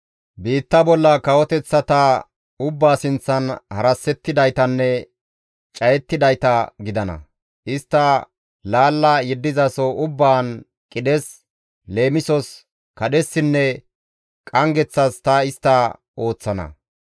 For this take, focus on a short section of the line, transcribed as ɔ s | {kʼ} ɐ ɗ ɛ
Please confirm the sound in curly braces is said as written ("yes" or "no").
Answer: no